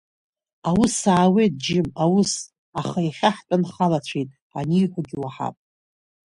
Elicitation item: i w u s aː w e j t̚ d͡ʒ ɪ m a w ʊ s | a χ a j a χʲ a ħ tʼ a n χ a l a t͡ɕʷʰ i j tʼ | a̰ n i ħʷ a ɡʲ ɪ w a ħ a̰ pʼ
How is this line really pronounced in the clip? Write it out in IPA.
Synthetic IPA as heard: a w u s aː w e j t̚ d͡ʒ ɪ m a w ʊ s | a χ a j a χʲ a ħ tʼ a n χ a l a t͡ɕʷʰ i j tʼ | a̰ n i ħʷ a ɡʲ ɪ w a ħ a̰ pʼ